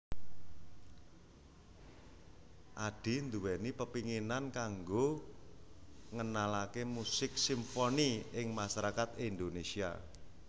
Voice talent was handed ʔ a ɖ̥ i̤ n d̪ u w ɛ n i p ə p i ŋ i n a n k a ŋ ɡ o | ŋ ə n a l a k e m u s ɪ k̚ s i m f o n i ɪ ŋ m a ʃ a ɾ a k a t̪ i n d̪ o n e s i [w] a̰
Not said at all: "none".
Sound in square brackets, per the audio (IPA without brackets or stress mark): none